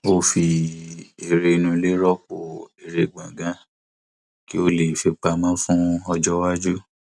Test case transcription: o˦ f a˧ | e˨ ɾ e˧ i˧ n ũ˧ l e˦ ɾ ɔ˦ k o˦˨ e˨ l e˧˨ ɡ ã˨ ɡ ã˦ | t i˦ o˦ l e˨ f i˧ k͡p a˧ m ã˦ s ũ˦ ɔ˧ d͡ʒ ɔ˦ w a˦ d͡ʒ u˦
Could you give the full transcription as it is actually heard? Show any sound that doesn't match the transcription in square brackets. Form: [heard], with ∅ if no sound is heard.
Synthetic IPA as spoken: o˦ f [i˧] | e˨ ɾ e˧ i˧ n ũ˧ l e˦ ɾ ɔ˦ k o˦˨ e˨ [ɾ] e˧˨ [ɡ͡b] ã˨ ɡ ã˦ | [k] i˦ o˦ l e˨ f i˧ k͡p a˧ m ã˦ [f] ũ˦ ɔ˧ d͡ʒ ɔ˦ w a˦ d͡ʒ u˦